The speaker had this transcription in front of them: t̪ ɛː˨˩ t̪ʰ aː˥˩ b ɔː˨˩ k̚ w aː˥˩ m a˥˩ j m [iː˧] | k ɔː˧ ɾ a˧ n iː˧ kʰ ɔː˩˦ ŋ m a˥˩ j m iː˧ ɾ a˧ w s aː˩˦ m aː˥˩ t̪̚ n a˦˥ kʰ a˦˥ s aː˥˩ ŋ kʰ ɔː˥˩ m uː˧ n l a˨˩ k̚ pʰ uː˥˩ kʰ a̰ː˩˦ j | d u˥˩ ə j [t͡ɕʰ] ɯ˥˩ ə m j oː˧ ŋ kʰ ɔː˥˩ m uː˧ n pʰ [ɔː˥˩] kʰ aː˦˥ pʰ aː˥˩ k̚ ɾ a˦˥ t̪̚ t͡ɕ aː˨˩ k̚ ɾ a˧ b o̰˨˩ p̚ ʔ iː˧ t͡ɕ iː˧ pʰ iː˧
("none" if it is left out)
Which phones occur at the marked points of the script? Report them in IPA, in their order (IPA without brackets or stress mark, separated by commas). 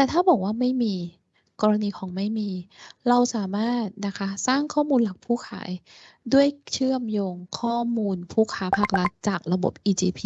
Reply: iː˧, t͡ɕʰ, uː˥˩